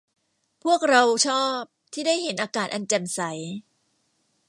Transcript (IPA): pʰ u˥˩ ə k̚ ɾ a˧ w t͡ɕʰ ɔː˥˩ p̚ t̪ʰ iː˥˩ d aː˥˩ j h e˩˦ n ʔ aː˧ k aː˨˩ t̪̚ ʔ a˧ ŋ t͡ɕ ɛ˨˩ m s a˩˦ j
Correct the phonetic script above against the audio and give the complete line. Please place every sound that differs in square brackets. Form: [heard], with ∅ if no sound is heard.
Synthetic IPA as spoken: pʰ u˥˩ ə k̚ ɾ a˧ w t͡ɕʰ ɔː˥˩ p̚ t̪ʰ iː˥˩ d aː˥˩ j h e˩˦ n ʔ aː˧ k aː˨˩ t̪̚ ʔ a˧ [n] t͡ɕ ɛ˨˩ m s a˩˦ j